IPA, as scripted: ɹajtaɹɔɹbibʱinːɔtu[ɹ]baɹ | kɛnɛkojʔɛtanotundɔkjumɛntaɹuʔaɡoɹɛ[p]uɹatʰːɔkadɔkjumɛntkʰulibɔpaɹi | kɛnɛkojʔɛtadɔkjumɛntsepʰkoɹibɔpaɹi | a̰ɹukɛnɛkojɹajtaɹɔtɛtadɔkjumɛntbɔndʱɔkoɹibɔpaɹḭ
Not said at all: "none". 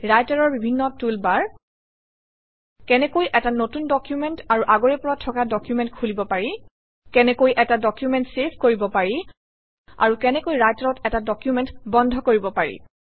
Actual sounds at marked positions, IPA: l, p

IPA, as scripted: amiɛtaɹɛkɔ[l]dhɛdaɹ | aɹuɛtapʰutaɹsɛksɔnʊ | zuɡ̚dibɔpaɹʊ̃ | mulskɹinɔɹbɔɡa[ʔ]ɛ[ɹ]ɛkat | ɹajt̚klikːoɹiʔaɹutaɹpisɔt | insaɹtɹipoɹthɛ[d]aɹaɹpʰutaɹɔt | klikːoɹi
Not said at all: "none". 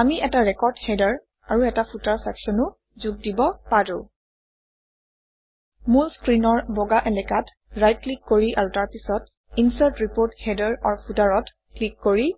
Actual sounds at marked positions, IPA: ɹ, ʔ, l, d

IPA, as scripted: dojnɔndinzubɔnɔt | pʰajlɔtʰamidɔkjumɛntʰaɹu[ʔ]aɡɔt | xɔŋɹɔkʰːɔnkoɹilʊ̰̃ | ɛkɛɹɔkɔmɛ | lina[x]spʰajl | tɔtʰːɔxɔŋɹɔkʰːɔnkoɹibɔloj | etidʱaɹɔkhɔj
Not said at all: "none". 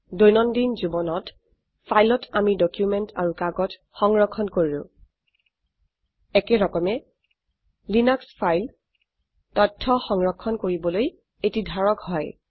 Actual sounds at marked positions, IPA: k, k

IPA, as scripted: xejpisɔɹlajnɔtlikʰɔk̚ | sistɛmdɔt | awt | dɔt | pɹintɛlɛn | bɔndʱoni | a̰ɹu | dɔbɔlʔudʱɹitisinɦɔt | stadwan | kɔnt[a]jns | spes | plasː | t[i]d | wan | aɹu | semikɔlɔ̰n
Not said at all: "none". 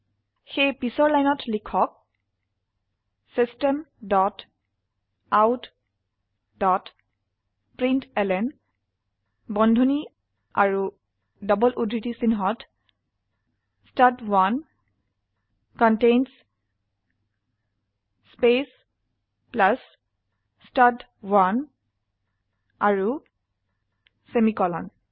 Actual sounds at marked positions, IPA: e, a

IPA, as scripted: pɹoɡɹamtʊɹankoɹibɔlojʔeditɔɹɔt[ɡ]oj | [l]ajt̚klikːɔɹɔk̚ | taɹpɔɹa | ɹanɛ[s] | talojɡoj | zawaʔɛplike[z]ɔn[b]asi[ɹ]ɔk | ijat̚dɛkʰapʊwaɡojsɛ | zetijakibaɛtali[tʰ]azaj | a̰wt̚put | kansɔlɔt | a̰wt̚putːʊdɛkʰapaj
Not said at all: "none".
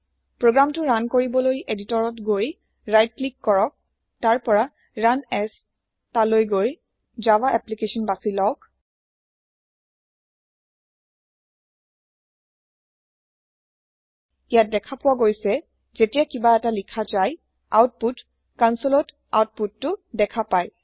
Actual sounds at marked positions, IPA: ɡ, ɹ, s, s, b, l, kʰ

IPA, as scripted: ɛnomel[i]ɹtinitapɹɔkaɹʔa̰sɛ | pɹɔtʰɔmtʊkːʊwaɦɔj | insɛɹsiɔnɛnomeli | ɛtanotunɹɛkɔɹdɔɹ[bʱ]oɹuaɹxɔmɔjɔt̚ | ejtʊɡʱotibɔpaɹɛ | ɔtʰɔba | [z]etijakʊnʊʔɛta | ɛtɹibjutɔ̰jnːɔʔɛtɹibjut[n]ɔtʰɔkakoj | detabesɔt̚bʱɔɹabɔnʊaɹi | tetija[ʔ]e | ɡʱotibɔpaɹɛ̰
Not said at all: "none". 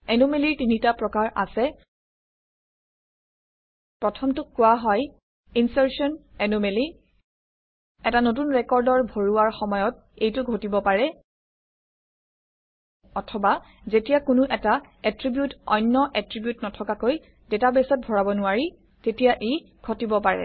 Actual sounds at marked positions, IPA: i, bʱ, z, n, ʔ

